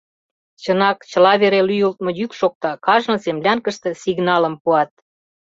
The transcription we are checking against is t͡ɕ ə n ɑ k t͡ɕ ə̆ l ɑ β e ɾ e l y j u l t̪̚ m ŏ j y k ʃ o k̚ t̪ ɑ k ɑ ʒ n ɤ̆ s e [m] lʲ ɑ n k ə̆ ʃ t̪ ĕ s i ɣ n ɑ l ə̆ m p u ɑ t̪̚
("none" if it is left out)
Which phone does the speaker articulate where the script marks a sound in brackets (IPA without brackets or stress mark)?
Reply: m